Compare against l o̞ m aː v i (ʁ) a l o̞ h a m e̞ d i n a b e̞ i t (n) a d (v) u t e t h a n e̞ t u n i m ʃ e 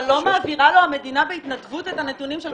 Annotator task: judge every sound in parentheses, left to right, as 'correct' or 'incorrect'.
correct, correct, correct

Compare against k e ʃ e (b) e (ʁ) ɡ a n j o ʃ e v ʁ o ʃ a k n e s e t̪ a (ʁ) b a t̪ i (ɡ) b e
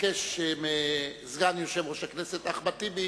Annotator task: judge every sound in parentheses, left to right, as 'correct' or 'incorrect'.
incorrect: m, incorrect: z, incorrect: χ, incorrect: none

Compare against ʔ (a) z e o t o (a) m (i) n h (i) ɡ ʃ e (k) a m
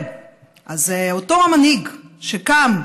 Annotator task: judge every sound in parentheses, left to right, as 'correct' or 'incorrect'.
correct, correct, incorrect: a, correct, correct

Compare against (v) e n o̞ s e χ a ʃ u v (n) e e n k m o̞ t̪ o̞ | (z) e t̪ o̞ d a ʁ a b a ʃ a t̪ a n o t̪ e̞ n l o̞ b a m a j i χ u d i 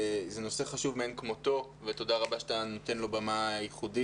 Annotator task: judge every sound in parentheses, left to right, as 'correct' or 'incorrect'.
incorrect: z, incorrect: m, incorrect: v

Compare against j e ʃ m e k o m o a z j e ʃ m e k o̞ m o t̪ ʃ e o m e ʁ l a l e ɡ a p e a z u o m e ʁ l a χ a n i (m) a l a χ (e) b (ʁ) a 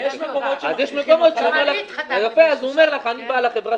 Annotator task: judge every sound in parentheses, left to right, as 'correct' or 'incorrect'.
incorrect: b, correct, correct

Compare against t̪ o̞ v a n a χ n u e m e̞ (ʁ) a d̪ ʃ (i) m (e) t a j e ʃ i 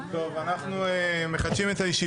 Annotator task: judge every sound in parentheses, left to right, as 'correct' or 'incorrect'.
incorrect: χ, correct, correct

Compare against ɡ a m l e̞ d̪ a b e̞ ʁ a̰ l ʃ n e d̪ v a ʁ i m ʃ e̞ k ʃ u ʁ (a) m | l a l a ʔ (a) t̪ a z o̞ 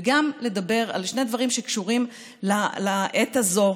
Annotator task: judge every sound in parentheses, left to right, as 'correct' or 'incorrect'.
incorrect: i, incorrect: e

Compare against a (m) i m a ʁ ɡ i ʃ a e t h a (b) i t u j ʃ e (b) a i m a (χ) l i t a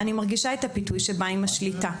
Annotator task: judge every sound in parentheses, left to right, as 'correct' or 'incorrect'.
incorrect: n, incorrect: p, correct, incorrect: ʃ

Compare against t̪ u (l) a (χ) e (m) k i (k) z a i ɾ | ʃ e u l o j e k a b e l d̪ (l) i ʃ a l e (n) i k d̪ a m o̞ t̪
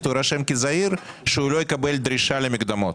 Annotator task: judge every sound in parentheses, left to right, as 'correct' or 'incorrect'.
incorrect: ɾ, incorrect: ʃ, correct, incorrect: none, incorrect: ɾ, incorrect: m

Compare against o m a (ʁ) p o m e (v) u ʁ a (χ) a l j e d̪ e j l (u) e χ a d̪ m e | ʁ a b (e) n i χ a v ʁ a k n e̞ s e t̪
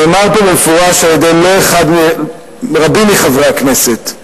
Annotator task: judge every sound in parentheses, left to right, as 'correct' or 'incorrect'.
correct, incorrect: f, incorrect: ʃ, incorrect: o, incorrect: i

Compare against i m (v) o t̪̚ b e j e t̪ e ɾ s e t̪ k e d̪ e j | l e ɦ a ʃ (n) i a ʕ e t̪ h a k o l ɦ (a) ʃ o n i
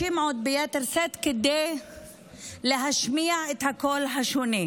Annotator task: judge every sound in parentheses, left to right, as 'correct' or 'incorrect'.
incorrect: ʕ, incorrect: m, correct

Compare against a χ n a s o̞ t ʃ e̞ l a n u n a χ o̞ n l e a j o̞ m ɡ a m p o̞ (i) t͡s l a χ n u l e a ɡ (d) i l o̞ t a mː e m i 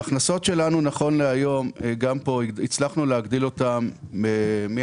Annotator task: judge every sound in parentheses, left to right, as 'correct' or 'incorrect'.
correct, correct

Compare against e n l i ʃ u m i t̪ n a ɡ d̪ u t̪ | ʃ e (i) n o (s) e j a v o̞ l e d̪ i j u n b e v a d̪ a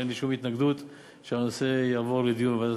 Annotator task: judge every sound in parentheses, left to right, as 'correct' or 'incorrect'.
incorrect: a, correct

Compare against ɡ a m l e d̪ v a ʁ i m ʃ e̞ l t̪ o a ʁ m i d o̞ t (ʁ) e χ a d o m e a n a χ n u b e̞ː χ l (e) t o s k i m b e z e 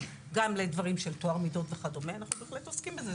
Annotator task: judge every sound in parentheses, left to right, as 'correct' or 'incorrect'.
incorrect: v, correct

